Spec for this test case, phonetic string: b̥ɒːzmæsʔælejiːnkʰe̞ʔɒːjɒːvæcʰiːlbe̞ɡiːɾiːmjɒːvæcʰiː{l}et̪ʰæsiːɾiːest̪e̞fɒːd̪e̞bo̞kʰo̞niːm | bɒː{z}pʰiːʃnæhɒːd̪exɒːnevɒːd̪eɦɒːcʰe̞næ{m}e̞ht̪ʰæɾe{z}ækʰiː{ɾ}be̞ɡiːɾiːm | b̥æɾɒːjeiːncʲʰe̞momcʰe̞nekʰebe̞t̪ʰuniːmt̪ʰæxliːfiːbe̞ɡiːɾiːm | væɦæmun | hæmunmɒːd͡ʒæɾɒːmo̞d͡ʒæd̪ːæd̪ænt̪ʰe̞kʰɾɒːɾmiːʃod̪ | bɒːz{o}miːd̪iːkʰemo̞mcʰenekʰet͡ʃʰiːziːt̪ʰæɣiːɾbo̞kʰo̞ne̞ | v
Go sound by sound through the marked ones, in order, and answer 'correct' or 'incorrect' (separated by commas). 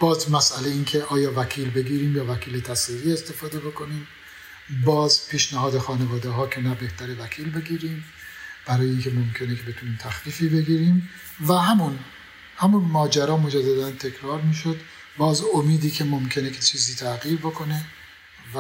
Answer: correct, correct, incorrect, incorrect, incorrect, correct